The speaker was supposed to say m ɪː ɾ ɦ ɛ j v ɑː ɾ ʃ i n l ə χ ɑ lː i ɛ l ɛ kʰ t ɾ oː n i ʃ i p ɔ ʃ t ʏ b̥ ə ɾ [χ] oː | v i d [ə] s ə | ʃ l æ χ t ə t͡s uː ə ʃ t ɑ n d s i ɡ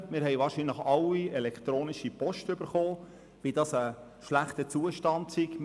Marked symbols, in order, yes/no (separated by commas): yes, no